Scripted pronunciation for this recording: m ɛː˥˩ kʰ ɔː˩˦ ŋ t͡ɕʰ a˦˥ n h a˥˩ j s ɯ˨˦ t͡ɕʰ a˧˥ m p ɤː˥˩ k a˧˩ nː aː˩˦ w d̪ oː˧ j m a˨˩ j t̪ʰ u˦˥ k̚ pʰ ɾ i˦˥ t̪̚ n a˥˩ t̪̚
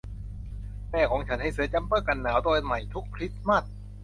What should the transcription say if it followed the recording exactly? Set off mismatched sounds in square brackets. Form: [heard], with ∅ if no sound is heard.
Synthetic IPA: m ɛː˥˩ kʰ ɔː˩˦ ŋ t͡ɕʰ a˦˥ n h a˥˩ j s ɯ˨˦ [t͡ɕ] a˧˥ m p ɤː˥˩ k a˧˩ nː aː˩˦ w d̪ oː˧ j m a˨˩ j t̪ʰ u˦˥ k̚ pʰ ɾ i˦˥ t̪̚ [m] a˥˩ t̪̚

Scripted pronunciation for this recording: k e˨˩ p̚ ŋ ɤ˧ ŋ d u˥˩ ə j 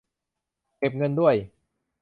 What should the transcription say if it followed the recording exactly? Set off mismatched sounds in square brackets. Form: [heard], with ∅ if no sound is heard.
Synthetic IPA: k e˨˩ p̚ ŋ ɤ˧ [n] d u˥˩ ə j

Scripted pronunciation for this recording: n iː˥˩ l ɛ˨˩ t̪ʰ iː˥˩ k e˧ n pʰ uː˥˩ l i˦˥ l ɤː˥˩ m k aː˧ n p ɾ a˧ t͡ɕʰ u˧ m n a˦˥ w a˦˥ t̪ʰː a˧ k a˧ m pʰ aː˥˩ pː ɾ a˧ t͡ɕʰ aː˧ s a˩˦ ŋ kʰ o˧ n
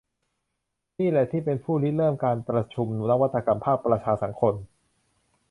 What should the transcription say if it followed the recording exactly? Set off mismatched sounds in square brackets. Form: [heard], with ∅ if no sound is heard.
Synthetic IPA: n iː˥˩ l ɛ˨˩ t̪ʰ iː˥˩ [p] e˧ n pʰ uː˥˩ l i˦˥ l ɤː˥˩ m k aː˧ n p ɾ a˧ t͡ɕʰ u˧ m n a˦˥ w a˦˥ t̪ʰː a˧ k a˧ m pʰ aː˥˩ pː ɾ a˧ t͡ɕʰ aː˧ s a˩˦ ŋ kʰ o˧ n

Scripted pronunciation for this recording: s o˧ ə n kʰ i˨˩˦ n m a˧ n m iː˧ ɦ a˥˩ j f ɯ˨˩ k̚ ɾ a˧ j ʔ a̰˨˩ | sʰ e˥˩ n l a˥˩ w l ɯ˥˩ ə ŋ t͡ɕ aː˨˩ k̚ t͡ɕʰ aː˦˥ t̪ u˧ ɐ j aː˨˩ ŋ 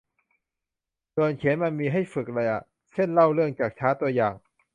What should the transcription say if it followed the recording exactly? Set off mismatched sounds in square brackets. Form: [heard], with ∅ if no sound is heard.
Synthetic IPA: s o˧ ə n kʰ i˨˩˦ n m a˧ n m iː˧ ɦ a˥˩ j f ɯ˨˩ k̚ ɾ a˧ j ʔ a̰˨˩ | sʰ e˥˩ n l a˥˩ w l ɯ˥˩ ə ŋ t͡ɕ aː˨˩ k̚ t͡ɕʰ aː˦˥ t̪ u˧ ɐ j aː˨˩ ŋ

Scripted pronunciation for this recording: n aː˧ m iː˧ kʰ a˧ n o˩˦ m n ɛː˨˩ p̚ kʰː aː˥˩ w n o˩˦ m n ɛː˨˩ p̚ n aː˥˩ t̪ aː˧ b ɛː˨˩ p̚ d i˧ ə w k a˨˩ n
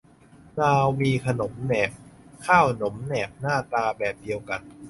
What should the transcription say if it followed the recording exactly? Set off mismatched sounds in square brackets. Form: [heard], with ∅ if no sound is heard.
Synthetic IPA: n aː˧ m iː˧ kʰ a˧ n o˩˦ m n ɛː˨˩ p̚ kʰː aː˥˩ w n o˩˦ m n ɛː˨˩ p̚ n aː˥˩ t̪ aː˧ b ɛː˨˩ p̚ d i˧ ə w k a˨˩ n

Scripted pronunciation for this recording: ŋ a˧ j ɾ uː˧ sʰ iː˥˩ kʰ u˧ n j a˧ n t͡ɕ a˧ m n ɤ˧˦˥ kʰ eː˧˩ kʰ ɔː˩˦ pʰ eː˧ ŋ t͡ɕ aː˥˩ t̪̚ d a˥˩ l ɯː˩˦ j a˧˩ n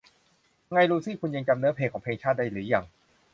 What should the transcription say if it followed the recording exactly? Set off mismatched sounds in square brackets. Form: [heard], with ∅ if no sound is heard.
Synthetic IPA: ŋ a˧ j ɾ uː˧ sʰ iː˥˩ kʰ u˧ n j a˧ [ŋ] t͡ɕ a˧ m n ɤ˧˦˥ [pʰ] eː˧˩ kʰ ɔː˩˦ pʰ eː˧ ŋ [t͡ɕʰ] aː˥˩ t̪̚ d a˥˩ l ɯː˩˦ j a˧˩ [ŋ]

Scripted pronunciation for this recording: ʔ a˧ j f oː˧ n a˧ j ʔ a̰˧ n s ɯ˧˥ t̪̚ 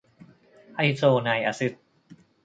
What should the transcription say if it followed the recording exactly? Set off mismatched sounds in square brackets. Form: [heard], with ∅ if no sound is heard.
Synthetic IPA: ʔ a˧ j [s] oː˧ n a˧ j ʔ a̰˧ [∅] s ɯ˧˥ t̪̚

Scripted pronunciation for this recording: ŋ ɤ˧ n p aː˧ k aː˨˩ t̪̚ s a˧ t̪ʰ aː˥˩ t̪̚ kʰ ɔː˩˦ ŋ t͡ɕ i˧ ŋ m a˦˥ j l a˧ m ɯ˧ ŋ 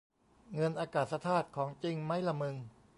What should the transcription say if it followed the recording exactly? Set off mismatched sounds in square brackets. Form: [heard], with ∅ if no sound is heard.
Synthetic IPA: ŋ ɤ˧ n [ʔ] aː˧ k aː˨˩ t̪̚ s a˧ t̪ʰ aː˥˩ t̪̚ kʰ ɔː˩˦ ŋ t͡ɕ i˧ ŋ m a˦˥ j l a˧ m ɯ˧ ŋ

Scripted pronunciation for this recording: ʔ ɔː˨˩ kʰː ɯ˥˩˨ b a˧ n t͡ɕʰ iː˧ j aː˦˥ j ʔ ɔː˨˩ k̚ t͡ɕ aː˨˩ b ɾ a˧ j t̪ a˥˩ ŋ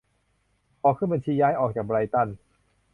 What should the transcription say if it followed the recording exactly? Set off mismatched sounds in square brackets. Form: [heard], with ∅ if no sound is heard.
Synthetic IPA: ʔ ɔː˨˩ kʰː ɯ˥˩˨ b a˧ n t͡ɕʰ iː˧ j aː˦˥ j ʔ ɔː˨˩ k̚ t͡ɕ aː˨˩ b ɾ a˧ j t̪ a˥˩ [n]

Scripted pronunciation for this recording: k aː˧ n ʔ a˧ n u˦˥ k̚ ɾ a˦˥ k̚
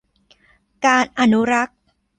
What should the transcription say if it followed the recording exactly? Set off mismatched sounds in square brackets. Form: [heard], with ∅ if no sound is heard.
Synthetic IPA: k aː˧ n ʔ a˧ n u˦˥ [∅] ɾ a˦˥ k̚

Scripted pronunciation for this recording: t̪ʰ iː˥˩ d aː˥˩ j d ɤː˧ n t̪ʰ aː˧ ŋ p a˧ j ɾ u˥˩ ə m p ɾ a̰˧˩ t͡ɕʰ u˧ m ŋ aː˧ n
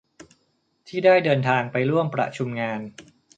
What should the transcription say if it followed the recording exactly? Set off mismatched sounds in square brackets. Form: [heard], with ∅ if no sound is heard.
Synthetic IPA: t̪ʰ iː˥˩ d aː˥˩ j d ɤː˧ n t̪ʰ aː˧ ŋ p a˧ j ɾ u˥˩ ə m p ɾ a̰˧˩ t͡ɕʰ u˧ m ŋ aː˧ n

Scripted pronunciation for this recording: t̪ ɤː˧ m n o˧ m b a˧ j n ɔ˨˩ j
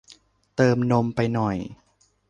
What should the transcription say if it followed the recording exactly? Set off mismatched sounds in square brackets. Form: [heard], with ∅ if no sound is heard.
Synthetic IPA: t̪ ɤː˧ m n o˧ m [p] a˧ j n ɔ˨˩ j

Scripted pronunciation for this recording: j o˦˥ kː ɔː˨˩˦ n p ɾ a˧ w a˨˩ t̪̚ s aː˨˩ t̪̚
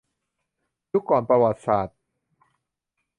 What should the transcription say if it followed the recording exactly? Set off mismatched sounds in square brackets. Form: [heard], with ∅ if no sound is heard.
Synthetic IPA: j [u˦˥] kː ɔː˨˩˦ n p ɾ a˧ w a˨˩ t̪̚ s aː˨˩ t̪̚

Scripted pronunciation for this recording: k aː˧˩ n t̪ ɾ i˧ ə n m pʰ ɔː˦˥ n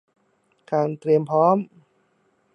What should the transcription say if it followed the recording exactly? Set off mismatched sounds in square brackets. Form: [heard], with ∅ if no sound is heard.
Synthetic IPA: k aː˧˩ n t̪ ɾ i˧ ə [∅] m pʰ ɔː˦˥ [m]

